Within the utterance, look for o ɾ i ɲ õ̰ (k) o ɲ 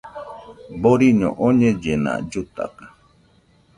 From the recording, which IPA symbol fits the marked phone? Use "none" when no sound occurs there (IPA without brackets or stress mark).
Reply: ʔ